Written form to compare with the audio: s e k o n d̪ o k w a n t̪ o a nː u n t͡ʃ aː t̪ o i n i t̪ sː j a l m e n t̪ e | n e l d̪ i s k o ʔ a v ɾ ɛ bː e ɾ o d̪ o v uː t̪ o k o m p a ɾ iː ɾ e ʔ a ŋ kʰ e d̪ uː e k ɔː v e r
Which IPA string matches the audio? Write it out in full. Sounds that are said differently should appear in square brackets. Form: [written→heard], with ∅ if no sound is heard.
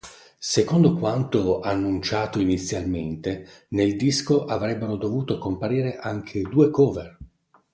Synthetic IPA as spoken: s e k o n d̪ o k w a n t̪ o a nː u n t͡ʃ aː t̪ o i n i t̪ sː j a l m e n t̪ e | n e l d̪ i s k o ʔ a v ɾ ɛ bː e ɾ o d̪ o v uː t̪ o k o m p a ɾ iː ɾ e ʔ a ŋ kʰ e d̪ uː e k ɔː v e r